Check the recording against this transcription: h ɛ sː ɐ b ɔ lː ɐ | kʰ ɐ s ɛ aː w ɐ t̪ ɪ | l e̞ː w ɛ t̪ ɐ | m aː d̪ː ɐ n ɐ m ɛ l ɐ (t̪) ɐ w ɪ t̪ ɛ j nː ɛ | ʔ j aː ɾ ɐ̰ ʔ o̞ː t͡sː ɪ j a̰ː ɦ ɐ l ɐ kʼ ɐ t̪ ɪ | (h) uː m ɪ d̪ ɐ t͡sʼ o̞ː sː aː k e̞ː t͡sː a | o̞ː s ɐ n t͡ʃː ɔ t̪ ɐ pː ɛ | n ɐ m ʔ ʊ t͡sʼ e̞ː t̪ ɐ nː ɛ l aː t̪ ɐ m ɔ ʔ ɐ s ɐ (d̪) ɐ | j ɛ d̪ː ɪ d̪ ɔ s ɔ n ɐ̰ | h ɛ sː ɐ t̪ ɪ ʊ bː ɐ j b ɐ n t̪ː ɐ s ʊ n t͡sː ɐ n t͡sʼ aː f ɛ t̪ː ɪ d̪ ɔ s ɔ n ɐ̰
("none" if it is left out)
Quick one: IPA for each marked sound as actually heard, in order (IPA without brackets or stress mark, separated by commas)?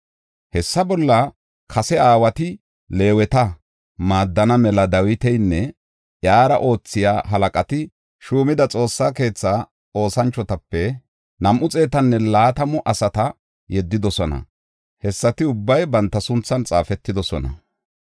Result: d̪, ʃ, t̪